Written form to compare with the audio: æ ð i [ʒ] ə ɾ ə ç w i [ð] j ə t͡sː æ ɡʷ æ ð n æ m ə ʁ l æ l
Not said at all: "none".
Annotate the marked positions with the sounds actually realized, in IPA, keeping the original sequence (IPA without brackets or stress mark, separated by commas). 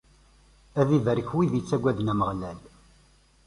v, ð